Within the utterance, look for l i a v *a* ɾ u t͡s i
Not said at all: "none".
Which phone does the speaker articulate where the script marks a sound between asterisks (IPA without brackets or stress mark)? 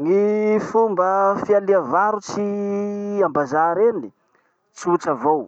a